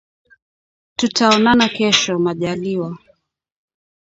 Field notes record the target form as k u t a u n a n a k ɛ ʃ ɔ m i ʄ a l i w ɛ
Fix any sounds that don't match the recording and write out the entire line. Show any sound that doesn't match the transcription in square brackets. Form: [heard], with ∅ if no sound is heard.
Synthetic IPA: [t] u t a [ɔ] n a n a k ɛ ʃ ɔ m [a] ʄ a l i w [a]